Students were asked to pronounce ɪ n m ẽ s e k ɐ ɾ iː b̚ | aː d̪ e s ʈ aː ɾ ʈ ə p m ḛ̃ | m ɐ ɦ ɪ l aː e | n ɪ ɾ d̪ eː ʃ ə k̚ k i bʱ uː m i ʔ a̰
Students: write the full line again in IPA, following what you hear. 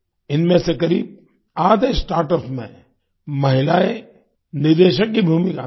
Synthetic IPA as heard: ɪ n m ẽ s e k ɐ ɾ iː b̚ | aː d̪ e s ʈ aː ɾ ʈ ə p m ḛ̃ | m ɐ ɦ ɪ l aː e | n ɪ ɾ d̪ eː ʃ ə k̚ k i bʱ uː m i k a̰